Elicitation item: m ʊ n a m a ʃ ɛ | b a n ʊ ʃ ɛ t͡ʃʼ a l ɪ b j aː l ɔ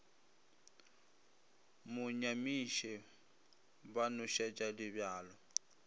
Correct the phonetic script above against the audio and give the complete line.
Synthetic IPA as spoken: m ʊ ɲ a m i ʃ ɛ | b a n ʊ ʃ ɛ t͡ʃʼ a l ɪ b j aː l ɔ